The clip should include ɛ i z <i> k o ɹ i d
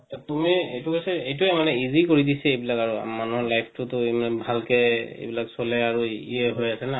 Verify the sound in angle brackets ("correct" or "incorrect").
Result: correct